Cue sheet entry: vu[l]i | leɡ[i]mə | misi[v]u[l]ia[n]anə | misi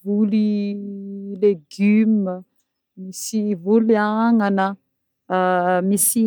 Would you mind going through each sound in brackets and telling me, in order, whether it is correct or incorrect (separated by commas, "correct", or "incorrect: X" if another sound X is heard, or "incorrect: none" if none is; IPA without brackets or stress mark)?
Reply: correct, incorrect: y, correct, correct, incorrect: ŋ